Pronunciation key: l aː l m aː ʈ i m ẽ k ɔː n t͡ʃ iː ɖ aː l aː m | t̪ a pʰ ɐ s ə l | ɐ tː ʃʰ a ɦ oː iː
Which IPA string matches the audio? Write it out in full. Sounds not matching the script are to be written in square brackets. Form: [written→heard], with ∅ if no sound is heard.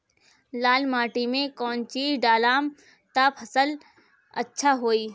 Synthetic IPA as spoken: l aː l m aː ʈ i m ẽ k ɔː n t͡ʃ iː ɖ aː l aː m | t̪ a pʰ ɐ s ə l | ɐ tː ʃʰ a ɦ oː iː